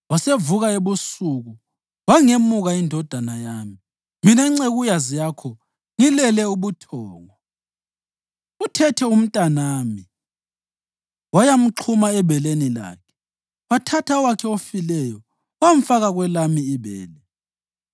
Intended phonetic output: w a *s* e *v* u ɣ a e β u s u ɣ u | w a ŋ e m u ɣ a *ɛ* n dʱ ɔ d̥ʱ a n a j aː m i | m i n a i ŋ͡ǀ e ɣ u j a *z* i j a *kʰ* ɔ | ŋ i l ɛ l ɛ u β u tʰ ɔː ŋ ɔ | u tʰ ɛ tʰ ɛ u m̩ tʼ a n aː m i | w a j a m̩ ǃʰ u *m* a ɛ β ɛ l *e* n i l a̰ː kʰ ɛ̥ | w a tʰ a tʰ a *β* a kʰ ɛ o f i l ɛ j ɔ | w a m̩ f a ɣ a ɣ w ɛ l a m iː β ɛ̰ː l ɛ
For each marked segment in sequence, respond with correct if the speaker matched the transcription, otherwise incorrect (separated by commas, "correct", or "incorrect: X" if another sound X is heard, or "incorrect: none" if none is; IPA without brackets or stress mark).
correct, correct, incorrect: i, correct, correct, correct, correct, incorrect: w